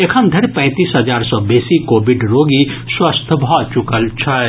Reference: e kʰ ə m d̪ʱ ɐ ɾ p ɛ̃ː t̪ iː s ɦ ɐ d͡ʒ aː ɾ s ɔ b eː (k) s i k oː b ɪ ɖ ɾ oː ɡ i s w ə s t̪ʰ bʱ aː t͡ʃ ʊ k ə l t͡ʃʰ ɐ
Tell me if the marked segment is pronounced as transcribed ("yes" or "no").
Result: no